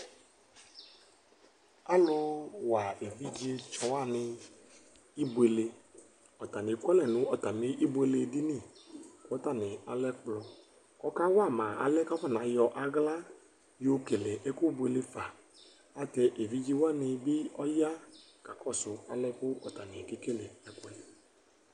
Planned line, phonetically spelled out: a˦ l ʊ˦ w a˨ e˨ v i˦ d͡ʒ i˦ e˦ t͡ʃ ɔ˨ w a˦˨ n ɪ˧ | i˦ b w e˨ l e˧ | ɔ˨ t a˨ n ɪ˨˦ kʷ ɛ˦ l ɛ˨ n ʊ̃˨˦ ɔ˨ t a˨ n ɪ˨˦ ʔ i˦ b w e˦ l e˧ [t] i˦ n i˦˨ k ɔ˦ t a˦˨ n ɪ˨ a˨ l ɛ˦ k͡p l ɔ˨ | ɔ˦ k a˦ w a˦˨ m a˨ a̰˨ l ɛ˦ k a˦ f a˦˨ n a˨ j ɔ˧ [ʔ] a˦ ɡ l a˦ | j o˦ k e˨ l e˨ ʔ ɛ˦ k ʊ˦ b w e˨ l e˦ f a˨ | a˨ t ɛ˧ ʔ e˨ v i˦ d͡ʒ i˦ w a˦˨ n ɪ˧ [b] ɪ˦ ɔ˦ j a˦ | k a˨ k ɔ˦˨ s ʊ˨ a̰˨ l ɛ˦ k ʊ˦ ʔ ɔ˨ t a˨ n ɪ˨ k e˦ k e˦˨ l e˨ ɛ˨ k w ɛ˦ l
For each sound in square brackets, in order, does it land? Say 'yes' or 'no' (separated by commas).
no, yes, yes